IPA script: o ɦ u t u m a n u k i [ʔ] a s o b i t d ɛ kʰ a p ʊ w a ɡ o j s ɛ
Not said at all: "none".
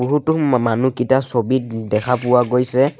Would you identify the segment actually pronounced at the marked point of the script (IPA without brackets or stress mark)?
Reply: t